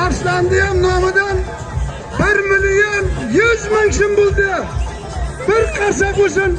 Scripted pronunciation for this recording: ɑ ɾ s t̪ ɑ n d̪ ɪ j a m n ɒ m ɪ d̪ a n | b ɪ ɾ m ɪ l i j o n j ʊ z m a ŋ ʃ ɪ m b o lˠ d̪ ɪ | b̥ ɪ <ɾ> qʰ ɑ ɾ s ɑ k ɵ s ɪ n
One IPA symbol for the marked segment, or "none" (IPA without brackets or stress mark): ɾ